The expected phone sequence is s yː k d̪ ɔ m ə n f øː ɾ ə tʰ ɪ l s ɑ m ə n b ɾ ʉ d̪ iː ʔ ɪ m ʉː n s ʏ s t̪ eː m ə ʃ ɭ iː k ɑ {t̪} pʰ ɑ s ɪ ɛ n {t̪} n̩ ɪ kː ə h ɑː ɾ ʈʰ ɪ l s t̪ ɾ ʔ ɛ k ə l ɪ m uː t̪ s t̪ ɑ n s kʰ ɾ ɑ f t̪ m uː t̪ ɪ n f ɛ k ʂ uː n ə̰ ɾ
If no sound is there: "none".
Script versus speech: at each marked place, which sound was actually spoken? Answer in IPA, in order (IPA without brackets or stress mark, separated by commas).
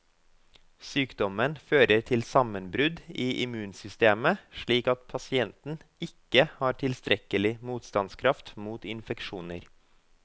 t̪, t̪